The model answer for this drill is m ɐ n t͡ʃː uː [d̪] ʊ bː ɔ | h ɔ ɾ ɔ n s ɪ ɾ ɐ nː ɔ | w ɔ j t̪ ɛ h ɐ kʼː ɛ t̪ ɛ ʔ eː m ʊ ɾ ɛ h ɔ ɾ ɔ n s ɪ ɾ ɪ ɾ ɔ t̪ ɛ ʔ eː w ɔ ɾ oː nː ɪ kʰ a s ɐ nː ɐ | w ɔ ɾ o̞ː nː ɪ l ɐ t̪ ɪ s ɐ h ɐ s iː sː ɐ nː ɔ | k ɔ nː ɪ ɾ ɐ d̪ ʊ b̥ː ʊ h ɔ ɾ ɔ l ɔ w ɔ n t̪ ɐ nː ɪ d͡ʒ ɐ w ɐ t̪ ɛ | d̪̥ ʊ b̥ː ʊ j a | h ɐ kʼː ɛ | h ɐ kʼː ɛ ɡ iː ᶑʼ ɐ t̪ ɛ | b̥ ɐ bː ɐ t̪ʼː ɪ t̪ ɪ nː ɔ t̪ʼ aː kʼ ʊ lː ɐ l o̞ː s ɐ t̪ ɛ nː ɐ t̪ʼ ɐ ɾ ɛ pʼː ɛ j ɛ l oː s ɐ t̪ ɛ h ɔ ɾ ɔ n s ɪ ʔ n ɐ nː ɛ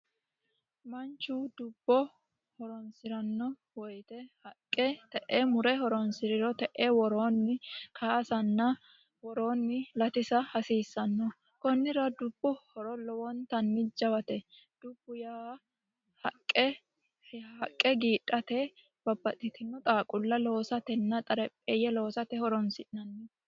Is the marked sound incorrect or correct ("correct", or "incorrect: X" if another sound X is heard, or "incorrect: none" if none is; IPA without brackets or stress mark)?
correct